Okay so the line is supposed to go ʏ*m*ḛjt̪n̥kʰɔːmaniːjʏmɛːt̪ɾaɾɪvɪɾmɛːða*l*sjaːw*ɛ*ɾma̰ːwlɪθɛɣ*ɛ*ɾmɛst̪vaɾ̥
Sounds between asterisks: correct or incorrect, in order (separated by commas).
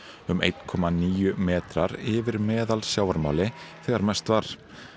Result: correct, correct, incorrect, incorrect